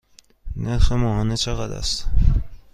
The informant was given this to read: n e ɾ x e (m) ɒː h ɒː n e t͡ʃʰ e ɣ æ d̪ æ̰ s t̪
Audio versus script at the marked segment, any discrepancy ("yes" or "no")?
no